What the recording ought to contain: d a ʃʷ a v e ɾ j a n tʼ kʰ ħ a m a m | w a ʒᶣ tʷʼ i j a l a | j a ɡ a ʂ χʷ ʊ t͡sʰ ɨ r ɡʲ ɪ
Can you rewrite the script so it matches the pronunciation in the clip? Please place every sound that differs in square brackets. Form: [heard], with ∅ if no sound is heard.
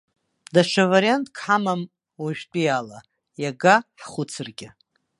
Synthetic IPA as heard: d a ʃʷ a v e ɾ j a n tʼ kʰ ħ a m a m | w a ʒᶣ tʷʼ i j a l a | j a ɡ a [ħ] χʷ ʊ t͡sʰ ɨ r ɡʲ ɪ